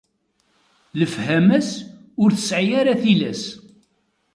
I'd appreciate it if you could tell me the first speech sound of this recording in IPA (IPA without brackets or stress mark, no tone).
l